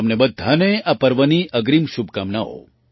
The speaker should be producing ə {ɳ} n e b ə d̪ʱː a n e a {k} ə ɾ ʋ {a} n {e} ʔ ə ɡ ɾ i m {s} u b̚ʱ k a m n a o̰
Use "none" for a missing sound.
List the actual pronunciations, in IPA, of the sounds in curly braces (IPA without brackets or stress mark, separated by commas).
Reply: m, p, ə, i, ʃ